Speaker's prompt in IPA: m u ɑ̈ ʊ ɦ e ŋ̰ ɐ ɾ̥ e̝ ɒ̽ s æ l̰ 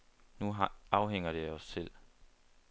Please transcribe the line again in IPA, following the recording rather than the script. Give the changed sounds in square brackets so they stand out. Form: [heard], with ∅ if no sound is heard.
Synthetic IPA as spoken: [n] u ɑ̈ ʊ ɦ e ŋ̰ ɐ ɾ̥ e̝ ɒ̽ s [e] l̰